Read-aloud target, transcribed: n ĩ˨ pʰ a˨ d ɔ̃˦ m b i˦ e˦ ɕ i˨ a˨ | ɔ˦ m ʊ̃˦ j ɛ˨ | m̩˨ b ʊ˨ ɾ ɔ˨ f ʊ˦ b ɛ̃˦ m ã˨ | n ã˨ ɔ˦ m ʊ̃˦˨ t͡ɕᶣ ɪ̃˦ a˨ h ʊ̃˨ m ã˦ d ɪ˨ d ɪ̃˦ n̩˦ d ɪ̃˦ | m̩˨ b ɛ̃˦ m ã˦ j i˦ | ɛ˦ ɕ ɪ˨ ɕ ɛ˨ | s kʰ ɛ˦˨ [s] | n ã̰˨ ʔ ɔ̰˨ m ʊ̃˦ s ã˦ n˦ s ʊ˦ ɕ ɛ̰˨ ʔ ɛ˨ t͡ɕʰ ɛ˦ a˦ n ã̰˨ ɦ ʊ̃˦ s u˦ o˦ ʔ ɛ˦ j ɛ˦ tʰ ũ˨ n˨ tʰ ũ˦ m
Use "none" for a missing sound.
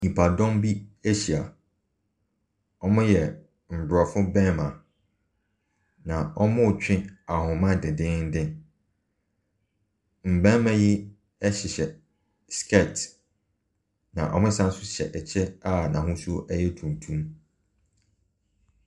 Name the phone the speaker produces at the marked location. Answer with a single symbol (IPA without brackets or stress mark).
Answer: t